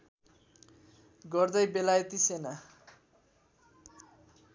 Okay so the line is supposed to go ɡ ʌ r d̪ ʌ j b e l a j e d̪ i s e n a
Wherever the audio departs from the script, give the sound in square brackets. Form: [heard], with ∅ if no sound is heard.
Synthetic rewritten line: ɡ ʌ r d̪ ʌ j b e l a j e [t̪] i s e n a